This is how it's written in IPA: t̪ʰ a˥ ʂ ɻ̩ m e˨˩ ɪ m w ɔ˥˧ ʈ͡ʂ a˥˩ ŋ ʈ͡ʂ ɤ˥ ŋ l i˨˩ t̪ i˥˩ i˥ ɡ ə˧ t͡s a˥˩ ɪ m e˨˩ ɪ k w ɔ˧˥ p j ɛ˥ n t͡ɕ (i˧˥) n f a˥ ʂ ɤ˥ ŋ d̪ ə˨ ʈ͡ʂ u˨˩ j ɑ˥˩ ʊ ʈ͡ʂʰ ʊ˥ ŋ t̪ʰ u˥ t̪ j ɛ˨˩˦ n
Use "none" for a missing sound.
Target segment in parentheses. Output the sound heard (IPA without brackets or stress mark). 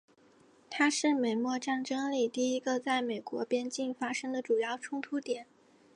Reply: i˥˩